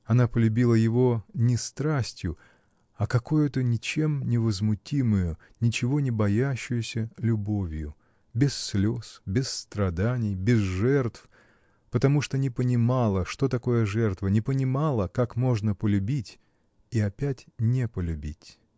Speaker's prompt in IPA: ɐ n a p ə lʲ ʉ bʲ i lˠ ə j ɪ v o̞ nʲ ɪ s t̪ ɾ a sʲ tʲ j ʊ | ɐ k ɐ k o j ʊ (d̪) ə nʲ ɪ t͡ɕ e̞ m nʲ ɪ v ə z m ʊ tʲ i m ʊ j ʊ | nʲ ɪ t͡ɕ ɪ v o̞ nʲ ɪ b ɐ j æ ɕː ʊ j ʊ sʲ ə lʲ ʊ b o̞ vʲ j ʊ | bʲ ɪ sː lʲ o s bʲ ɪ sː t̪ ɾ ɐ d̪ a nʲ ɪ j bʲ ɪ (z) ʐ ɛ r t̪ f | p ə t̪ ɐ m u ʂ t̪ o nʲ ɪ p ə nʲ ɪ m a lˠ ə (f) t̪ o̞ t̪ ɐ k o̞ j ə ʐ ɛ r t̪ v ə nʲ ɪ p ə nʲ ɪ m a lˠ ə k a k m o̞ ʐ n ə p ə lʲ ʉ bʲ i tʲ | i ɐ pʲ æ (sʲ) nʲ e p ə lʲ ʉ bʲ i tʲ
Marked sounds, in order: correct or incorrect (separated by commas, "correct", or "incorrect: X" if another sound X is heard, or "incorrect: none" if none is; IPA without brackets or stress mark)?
incorrect: t̪, correct, incorrect: ʂ, incorrect: tʲ